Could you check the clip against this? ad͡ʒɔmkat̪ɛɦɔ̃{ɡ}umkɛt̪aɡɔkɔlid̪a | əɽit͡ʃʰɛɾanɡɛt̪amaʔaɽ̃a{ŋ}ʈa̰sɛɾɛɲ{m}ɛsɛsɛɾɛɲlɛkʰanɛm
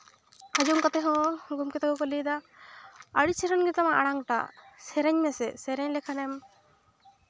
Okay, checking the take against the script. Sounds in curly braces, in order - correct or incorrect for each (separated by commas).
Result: correct, correct, correct